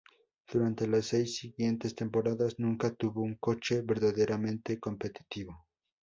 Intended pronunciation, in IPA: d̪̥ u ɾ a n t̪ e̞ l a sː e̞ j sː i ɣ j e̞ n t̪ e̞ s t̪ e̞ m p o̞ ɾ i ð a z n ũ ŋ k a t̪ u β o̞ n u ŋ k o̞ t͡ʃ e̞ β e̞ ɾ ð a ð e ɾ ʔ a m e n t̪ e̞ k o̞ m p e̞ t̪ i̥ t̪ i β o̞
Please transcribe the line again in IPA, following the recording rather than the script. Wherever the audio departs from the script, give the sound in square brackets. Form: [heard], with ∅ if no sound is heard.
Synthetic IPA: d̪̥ u ɾ a n t̪ e̞ l a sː e̞ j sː i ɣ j e̞ n t̪ e̞ s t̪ e̞ m p o̞ ɾ [a] ð a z n ũ ŋ k a t̪ u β o̞ [∅] u ŋ k o̞ t͡ʃ e̞ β e̞ ɾ ð a ð e ɾ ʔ a m [ẽ] n t̪ e̞ k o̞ m p e̞ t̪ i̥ t̪ i β o̞